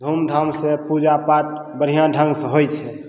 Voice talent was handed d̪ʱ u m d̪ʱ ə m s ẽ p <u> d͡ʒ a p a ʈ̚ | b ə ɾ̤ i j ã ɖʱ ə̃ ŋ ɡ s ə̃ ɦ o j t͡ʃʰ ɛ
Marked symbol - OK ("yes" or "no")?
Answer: yes